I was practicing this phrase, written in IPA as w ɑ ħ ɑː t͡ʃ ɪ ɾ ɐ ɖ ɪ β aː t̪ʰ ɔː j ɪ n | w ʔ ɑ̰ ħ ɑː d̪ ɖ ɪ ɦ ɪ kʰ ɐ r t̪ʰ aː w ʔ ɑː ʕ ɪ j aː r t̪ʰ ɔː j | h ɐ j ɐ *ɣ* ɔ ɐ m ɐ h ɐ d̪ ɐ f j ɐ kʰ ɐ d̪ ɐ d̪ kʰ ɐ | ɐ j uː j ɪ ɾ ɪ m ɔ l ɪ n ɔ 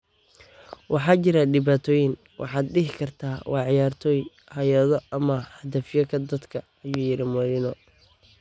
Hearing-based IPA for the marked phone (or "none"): ð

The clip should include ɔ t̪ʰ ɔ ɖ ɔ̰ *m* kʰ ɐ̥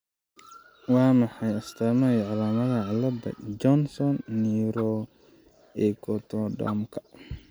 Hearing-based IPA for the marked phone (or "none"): m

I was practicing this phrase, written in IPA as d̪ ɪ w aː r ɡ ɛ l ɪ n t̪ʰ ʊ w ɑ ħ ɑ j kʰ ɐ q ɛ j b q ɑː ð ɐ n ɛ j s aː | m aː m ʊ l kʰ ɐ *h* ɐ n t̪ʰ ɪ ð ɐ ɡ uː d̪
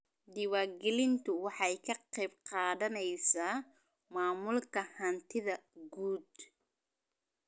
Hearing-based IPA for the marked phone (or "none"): h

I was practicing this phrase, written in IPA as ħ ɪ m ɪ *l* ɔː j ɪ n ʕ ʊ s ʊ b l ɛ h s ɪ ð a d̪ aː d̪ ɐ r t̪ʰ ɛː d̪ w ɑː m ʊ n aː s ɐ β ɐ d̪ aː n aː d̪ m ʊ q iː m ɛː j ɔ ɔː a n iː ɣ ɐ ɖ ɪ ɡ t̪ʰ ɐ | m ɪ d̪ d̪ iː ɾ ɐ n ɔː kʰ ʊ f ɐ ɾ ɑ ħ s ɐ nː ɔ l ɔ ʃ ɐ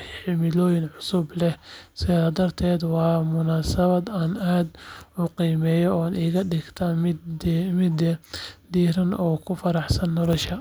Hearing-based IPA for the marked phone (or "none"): l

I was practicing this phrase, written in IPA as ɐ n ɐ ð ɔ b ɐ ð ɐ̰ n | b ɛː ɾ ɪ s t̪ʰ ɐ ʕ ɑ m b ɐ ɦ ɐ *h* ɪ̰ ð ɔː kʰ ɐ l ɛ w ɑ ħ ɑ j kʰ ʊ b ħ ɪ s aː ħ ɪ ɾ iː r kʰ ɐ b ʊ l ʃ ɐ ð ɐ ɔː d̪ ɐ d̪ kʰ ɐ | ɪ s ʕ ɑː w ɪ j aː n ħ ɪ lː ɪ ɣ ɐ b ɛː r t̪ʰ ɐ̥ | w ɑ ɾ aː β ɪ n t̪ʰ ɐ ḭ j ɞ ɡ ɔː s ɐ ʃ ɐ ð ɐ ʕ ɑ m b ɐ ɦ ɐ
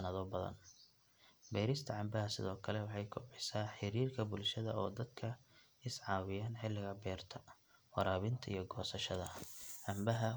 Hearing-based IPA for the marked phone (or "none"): s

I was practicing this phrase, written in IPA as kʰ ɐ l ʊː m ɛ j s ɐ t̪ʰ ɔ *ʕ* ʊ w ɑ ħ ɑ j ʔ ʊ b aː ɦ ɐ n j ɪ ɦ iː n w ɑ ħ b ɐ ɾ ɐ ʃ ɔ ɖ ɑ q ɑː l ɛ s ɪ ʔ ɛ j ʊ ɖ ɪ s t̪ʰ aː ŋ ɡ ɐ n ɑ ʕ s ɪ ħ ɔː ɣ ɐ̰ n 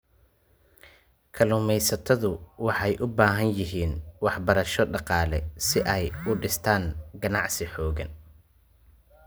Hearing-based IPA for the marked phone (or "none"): ð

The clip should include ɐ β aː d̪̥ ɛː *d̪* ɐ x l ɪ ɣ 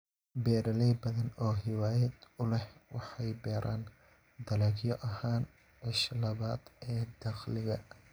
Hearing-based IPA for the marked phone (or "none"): d̪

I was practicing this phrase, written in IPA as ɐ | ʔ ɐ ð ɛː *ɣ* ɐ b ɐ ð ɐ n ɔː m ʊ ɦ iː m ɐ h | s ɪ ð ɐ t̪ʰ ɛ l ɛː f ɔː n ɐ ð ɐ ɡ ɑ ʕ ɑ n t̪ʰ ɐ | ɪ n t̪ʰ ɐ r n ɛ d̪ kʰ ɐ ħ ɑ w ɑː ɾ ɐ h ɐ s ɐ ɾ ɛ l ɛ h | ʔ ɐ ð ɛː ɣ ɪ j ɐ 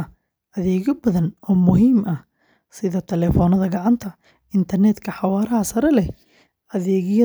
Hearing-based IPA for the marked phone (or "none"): ɣ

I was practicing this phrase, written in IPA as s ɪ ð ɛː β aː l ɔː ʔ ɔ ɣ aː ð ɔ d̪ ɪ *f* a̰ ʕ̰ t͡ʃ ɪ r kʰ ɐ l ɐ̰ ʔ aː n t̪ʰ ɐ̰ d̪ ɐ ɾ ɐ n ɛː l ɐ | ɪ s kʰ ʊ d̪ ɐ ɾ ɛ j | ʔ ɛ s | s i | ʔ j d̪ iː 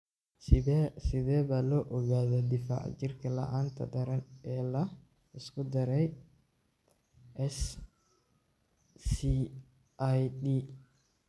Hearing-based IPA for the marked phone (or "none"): f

